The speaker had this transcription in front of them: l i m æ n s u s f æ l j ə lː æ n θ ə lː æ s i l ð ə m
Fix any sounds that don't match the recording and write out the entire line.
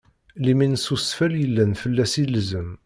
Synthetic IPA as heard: l i m i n s u s f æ l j ə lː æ n f ə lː æ s i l z ə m